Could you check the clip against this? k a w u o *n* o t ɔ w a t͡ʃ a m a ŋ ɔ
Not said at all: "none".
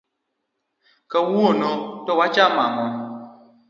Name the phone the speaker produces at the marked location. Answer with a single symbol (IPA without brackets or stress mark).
n